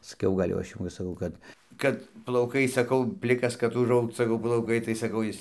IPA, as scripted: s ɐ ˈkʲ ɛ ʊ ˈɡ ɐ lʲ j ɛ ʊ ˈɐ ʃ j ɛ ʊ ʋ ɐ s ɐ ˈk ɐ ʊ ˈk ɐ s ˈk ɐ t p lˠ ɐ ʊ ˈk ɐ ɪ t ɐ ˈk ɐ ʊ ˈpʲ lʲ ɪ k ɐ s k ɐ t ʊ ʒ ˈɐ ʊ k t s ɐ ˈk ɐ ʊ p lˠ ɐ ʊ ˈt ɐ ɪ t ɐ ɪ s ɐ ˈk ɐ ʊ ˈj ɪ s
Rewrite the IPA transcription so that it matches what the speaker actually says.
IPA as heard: s ɐ ˈkʲ ɛ ʊ ˈɡ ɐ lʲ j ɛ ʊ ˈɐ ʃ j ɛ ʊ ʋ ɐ s ɐ ˈk ɐ ʊ ˈk ɐ t ˈk ɐ t p lˠ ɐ ʊ ˈk ɐ ɪ s ɐ ˈk ɐ ʊ ˈpʲ lʲ ɪ k ɐ s k ɐ t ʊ ʒ ˈɐ ʊ k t s ɐ ˈk ɐ ʊ p lˠ ɐ ʊ ˈk ɐ ɪ t ɐ ɪ s ɐ ˈk ɐ ʊ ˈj ɪ s